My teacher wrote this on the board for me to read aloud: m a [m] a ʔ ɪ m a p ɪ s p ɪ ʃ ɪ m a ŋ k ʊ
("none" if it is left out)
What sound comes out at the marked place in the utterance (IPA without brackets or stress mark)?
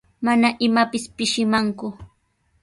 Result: n